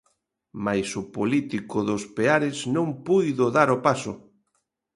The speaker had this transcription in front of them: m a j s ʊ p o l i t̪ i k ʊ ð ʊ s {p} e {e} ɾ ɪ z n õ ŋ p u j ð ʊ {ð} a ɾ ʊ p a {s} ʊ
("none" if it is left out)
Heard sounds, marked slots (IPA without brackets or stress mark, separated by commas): p, a, ð, s